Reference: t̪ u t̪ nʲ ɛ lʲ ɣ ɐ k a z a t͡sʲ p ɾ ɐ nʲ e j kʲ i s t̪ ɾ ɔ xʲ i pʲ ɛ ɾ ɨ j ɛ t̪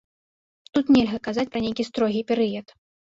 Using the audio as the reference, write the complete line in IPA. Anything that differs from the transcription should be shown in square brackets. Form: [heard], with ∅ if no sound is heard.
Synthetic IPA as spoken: t̪ u t̪ nʲ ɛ lʲ ɣ ɐ k a z a t͡sʲ p ɾ ɐ nʲ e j kʲ i s t̪ ɾ ɔ [ɣʲ] i pʲ ɛ ɾ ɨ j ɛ t̪